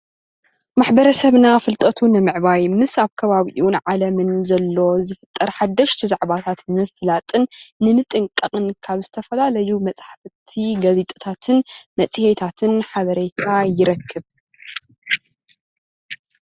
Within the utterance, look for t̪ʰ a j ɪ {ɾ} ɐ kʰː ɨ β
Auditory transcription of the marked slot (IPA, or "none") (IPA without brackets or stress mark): ɾ